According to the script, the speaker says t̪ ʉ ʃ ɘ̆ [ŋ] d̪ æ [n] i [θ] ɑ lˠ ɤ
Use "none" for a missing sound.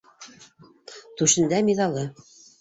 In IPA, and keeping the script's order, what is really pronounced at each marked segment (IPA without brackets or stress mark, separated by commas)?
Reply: n, m, ð